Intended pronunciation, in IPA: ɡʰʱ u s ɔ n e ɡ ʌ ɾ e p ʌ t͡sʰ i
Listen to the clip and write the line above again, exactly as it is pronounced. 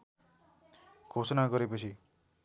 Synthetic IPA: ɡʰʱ o s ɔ n a ɡ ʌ ɾ e p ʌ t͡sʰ i